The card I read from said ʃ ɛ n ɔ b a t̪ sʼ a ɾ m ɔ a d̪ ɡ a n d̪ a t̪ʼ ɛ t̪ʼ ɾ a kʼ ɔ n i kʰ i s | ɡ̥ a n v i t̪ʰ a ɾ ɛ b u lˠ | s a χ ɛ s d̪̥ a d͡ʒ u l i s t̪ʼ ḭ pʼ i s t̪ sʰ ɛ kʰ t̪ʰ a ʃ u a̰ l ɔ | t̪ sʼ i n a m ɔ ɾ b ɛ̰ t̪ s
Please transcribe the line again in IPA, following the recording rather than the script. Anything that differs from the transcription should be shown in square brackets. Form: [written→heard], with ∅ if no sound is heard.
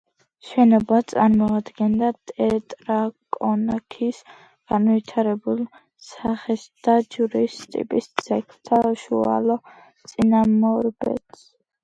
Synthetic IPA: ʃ ɛ n ɔ b a t̪ sʼ a ɾ m ɔ a d̪ ɡ [a→ɛ] n d̪ a t̪ʼ ɛ t̪ʼ ɾ a kʼ ɔ n [i→a] kʰ i s | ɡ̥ a n v i t̪ʰ a ɾ ɛ b u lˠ | s a χ ɛ s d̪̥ a d͡ʒ u [l→ɾ] i s t̪ʼ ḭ pʼ i s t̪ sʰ ɛ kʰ t̪ʰ a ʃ u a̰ l ɔ | t̪ sʼ i n a m ɔ ɾ b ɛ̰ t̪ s